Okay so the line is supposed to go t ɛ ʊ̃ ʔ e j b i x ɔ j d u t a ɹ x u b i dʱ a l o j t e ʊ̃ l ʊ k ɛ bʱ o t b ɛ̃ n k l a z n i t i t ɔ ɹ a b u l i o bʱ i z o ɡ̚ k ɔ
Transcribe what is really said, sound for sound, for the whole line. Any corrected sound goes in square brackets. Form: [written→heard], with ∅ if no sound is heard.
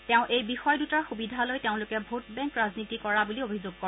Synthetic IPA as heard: t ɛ ʊ̃ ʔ e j b i x ɔ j d u t a ɹ x u b i dʱ a l o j t e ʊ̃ l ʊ k ɛ bʱ o t b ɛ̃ [n→ŋ] k [l→ɹ] a z n i t i [t→k] ɔ ɹ a b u l i o bʱ i z o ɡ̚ k ɔ